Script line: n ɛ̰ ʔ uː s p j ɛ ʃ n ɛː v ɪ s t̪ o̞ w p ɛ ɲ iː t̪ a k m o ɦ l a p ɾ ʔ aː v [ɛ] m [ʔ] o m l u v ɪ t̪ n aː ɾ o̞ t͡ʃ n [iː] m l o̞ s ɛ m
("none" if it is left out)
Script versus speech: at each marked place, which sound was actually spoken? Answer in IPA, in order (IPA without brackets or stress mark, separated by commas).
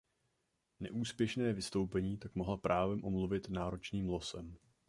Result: ɛ, ʔ, iː